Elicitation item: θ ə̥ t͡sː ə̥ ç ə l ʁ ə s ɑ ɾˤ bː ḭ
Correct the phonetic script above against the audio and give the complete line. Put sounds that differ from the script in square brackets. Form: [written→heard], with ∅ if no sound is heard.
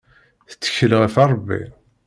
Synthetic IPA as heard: θ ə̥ t͡sː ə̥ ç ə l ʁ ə [s→f] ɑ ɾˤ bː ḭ

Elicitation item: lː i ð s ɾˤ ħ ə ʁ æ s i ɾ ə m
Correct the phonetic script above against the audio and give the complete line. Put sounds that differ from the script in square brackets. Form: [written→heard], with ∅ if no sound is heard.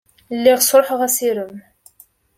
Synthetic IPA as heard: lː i [ð→ʁ] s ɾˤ ħ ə ʁ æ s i ɾ ə m

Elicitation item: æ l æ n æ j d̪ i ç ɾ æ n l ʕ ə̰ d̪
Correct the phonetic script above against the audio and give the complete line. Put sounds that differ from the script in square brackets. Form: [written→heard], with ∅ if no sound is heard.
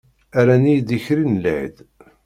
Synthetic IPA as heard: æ [l→ɾ] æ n [æ→i] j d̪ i ç ɾ [æ→i] n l ʕ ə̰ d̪

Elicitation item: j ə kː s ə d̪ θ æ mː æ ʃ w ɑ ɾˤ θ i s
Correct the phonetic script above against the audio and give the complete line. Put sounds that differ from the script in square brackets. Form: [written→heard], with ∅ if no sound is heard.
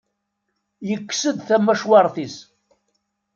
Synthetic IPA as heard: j ə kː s ə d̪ θ æ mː æ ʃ w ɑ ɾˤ θ i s

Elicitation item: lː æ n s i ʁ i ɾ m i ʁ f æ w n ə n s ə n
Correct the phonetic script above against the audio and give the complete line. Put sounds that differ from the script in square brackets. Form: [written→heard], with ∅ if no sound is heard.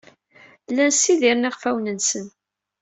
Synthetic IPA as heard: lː æ n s i [ʁ→ð] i ɾ [m→n] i ʁ f æ w n ə n s ə n

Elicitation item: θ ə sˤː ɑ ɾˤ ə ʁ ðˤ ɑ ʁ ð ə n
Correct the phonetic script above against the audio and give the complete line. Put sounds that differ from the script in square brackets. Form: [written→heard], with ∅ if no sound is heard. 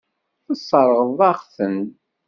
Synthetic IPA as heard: θ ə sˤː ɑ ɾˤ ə ʁ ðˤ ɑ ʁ [ð→θ] ə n

